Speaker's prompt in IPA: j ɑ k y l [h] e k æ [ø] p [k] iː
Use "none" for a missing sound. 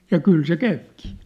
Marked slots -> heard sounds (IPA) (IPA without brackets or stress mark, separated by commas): s, y, k